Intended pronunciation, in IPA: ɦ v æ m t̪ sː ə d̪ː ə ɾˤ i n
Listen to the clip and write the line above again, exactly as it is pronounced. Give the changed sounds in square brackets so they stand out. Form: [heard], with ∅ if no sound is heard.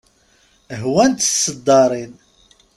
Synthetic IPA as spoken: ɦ [w] æ [n] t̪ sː ə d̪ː [ɑ] ɾˤ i n